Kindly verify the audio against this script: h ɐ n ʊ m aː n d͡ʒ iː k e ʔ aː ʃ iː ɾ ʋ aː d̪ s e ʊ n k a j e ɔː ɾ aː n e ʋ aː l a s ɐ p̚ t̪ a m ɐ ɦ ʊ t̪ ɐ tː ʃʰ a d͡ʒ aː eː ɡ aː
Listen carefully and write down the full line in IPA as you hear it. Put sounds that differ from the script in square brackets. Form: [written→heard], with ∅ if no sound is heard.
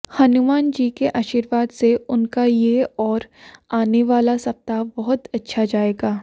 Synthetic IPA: h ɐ n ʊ m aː n d͡ʒ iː k e ʔ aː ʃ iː ɾ ʋ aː d̪ s e ʊ n k a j e ɔː ɾ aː n e ʋ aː l a s ɐ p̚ t̪ a [m→b] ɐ ɦ ʊ t̪ ɐ tː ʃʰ a d͡ʒ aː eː ɡ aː